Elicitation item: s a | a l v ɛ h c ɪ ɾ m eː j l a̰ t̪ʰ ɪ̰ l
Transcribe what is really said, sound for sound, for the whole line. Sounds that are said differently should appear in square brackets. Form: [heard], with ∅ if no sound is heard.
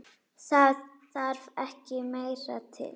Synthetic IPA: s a | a [ɾ] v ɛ h c ɪ [∅] m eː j [ɾ] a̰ t̪ʰ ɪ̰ l